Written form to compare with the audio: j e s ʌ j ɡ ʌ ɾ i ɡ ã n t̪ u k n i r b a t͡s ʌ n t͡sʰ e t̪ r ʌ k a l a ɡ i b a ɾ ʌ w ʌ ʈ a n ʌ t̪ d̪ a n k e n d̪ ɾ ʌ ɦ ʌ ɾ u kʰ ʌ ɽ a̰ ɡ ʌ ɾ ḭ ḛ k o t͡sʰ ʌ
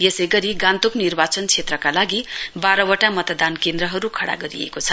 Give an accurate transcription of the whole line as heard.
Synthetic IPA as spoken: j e s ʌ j ɡ ʌ ɾ i ɡ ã n t̪ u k n i r b a t͡s ʌ n t͡sʰ e t̪ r ʌ k a l a ɡ i b a ɾ ʌ w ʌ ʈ a m ʌ t̪ d̪ a n k e n d̪ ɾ ʌ ɦ ʌ ɾ u kʰ ʌ ɽ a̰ ɡ ʌ ɾ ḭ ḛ k o t͡sʰ ʌ